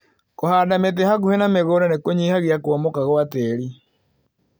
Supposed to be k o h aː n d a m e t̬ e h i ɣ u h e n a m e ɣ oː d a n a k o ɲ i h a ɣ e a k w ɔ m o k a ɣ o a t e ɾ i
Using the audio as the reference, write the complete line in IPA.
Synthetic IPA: k o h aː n d a m e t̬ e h a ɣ u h e n a m e ɣ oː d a n e k o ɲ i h a ɣ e a k w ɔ m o k a ɣ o a t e ɾ i